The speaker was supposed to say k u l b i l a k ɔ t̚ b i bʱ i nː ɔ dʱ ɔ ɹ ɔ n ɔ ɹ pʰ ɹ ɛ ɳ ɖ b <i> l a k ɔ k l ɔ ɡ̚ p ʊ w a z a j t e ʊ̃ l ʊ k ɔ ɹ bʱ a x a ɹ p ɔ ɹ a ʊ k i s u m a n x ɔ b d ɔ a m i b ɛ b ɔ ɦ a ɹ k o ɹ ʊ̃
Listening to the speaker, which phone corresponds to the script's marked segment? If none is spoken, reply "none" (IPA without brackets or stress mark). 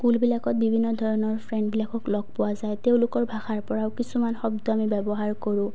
i